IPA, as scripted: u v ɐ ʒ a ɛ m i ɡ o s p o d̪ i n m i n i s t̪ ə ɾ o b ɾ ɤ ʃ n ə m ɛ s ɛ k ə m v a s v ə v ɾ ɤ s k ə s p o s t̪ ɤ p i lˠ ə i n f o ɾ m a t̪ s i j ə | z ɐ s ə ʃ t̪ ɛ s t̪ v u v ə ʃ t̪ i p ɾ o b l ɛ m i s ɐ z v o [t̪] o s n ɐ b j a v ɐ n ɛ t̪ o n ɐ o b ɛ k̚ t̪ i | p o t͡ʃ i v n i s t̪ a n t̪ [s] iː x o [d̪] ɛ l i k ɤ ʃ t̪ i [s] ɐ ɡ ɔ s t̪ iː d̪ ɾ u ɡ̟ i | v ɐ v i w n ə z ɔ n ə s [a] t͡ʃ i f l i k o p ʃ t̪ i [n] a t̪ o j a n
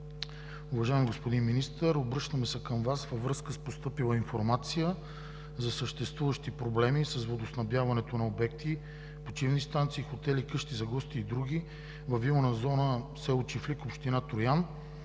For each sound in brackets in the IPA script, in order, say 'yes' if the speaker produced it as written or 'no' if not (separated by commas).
no, yes, no, no, no, yes